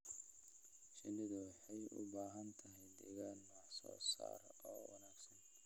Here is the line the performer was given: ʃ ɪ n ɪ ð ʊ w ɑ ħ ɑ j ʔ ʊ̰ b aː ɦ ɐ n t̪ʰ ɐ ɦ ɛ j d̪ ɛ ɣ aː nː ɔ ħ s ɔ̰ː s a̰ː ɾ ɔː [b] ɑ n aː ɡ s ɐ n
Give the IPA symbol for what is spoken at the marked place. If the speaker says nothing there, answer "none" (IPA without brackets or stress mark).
w